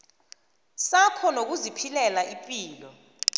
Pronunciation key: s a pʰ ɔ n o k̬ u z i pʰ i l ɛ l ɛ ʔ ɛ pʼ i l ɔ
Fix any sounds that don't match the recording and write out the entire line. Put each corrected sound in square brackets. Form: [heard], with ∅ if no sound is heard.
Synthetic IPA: s a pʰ ɔ n o k̬ u z i pʰ i l ɛ l [a] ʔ [i] pʼ [iː] l ɔ